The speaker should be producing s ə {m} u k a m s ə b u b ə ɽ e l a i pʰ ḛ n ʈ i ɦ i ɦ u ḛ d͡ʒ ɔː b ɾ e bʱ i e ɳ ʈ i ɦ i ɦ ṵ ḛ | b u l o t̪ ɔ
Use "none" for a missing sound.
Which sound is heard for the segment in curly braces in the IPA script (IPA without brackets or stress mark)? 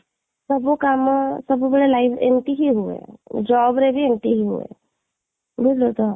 b